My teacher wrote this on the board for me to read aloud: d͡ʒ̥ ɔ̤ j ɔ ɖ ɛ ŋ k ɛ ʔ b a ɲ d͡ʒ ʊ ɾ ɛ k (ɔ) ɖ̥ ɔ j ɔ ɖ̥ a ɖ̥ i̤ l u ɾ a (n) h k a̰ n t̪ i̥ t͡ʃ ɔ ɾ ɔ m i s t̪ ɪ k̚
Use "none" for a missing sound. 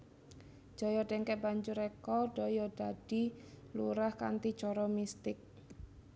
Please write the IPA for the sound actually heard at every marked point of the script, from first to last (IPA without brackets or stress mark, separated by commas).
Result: ɔ, none